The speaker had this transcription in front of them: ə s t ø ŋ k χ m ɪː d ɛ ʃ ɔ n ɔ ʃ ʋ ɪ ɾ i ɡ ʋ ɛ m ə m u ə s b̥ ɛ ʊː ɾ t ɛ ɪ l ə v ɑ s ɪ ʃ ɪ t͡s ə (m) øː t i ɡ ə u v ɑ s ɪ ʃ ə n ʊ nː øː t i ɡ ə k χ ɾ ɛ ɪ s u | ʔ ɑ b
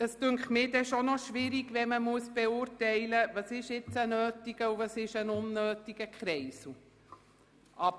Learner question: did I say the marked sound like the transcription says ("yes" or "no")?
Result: no